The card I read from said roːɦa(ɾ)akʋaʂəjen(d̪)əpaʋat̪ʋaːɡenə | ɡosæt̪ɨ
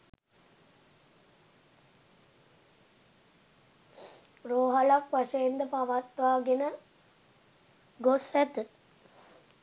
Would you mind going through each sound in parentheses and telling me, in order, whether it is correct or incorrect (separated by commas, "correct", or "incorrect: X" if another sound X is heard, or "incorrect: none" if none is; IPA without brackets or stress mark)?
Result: incorrect: l, correct